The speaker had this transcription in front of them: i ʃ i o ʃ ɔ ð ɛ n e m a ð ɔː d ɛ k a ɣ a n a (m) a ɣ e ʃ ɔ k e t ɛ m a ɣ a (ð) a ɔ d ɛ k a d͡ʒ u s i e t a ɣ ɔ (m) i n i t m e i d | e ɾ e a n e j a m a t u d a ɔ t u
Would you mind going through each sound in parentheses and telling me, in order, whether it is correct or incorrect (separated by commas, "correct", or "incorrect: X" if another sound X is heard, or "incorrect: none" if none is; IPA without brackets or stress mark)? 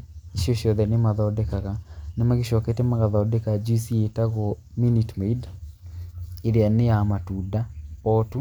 correct, correct, correct